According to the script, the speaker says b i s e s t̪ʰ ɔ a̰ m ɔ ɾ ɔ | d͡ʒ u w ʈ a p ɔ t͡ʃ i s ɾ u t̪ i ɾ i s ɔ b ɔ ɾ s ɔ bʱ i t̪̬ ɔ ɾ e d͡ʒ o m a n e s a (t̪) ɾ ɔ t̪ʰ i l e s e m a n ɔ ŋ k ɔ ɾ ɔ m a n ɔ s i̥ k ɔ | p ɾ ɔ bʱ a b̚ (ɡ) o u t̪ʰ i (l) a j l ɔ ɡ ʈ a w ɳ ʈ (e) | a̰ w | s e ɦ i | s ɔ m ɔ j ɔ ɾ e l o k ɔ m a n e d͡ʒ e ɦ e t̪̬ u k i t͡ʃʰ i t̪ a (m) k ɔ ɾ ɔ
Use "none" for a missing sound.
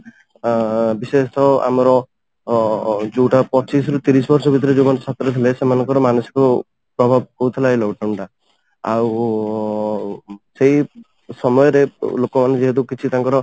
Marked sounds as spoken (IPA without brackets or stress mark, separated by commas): t̪, k, l, a, ŋ